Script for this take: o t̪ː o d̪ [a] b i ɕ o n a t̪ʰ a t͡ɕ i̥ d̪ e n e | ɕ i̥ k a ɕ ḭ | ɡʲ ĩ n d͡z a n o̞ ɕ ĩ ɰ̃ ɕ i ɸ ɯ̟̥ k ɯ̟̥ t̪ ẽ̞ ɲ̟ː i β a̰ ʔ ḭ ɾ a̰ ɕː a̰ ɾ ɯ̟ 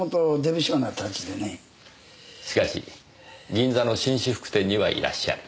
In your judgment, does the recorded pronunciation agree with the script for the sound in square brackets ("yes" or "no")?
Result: no